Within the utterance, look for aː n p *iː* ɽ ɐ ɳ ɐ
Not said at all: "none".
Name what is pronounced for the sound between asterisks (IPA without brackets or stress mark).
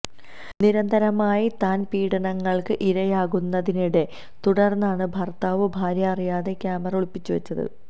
iː